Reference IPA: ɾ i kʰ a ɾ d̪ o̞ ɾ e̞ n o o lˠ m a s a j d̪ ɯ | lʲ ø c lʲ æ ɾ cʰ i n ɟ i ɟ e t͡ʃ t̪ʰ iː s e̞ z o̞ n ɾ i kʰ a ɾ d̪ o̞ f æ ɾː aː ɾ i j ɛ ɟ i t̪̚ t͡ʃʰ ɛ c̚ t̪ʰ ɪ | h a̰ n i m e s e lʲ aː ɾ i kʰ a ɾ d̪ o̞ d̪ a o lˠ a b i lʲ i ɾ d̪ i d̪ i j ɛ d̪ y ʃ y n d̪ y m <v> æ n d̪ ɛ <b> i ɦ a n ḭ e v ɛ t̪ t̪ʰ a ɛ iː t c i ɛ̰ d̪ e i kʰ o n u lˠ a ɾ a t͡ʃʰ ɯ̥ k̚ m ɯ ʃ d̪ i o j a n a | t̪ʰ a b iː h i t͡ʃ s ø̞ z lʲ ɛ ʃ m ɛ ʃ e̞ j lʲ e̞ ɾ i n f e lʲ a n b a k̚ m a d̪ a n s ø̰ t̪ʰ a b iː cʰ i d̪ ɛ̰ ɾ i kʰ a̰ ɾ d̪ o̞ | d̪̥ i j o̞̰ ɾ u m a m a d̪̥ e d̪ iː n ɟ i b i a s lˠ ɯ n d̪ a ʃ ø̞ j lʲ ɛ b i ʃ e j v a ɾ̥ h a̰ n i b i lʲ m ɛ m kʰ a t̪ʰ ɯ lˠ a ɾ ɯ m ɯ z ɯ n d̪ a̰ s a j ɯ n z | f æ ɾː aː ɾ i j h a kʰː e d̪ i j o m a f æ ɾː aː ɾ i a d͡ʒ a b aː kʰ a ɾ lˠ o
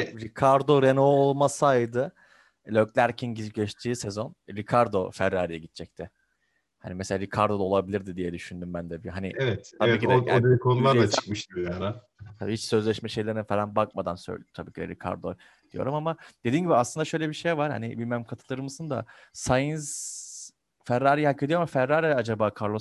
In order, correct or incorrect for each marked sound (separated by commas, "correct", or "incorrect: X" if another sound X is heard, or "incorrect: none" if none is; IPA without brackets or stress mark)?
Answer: incorrect: b, correct